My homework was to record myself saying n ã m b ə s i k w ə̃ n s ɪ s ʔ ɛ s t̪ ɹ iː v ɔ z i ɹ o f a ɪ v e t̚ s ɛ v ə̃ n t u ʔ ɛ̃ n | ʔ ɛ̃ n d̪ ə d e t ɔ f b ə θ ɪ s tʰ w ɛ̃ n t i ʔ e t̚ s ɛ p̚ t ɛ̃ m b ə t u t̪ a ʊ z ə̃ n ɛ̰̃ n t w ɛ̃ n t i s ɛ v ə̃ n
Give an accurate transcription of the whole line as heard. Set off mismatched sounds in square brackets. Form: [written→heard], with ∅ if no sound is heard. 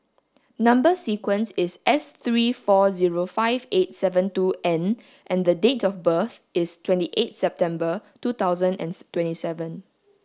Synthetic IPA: n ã m b ə s i k w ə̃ n s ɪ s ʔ ɛ s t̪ ɹ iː [v→f] ɔ z i ɹ o f a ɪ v e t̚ s ɛ v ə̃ n t u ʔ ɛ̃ n | ʔ ɛ̃ n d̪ ə d e t ɔ f b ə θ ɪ s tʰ w ɛ̃ n t i ʔ e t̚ s ɛ p̚ t ɛ̃ m b ə t u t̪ a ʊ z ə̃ n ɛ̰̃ n t w ɛ̃ n t i s ɛ v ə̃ n